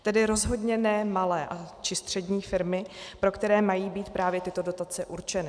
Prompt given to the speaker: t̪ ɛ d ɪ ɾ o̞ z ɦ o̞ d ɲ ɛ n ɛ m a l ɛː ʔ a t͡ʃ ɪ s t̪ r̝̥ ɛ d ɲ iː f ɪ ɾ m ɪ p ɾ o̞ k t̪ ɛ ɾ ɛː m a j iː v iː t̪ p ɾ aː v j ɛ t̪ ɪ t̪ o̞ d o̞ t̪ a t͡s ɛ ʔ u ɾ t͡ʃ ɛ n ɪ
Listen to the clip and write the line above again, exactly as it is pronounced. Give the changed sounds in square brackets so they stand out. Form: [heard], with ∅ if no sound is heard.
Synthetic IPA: t̪ ɛ d ɪ ɾ o̞ z ɦ o̞ d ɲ ɛ n ɛ m a l ɛː ʔ a t͡ʃ ɪ s t̪ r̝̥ ɛ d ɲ iː f ɪ ɾ m ɪ p ɾ o̞ k t̪ ɛ ɾ ɛː m a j iː [b] iː t̪ p ɾ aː v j ɛ t̪ ɪ t̪ o̞ d o̞ t̪ a t͡s ɛ ʔ u ɾ t͡ʃ ɛ n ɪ